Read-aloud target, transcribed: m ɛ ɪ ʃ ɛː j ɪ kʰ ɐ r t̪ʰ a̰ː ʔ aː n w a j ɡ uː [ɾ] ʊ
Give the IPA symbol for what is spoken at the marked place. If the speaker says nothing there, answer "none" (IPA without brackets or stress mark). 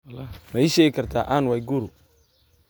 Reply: ɾ